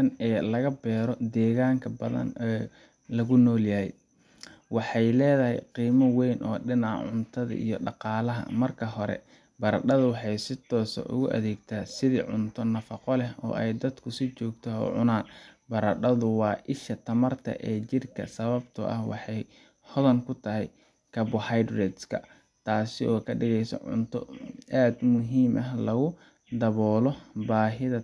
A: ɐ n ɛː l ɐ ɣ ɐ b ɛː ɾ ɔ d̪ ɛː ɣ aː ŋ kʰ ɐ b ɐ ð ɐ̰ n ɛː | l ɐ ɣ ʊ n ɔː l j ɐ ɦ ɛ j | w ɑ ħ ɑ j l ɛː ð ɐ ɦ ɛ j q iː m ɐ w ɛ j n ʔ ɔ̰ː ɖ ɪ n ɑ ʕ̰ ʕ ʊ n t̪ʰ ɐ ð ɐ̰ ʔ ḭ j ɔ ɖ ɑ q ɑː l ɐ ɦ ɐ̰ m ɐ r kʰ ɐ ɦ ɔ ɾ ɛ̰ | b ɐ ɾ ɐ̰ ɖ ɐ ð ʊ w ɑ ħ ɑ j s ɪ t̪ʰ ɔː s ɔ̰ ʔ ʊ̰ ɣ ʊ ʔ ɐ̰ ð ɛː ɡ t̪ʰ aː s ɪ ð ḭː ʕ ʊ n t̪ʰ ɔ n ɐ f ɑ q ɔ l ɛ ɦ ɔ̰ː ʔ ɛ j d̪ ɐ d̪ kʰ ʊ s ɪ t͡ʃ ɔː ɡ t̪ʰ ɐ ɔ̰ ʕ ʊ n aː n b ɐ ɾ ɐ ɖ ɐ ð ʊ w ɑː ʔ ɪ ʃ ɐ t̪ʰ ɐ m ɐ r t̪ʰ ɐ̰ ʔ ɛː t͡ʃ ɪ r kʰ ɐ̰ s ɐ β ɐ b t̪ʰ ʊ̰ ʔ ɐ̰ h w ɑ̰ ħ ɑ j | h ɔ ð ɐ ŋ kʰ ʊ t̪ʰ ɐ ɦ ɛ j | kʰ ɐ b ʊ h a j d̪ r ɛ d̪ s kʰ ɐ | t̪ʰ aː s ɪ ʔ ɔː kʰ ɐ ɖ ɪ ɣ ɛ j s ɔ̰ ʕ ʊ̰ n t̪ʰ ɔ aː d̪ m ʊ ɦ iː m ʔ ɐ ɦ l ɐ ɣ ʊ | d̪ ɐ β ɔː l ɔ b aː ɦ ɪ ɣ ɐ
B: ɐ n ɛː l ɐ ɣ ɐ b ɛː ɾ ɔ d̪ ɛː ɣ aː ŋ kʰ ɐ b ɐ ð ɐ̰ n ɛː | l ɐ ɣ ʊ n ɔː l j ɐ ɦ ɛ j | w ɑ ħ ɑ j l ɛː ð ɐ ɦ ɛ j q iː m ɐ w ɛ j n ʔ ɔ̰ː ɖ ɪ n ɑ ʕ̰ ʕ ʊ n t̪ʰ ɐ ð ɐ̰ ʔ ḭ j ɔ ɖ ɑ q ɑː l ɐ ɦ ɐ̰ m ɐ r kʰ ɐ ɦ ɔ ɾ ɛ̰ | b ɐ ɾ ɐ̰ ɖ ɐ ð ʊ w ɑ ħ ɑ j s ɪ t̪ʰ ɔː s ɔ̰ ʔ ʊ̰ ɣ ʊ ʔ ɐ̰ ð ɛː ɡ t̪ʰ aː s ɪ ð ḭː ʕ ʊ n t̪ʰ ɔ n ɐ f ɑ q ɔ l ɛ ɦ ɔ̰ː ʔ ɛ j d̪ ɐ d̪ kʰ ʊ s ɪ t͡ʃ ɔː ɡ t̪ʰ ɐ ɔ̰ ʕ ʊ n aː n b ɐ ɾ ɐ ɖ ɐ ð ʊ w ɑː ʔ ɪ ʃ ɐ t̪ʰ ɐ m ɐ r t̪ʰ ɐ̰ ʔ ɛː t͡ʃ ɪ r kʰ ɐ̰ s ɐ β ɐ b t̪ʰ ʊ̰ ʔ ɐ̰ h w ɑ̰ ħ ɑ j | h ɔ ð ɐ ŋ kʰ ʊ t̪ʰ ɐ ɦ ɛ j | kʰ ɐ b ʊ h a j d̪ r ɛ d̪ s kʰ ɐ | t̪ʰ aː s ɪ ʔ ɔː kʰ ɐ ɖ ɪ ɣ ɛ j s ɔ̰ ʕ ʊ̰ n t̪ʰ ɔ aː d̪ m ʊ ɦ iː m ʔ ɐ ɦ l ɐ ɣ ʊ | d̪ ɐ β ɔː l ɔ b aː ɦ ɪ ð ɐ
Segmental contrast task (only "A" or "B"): B